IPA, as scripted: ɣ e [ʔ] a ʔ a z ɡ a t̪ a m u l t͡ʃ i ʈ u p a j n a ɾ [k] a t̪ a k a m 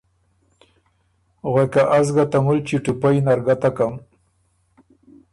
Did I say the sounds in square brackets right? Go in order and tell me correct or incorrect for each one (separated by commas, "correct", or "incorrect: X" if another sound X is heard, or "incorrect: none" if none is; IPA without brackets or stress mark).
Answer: incorrect: k, incorrect: ɡ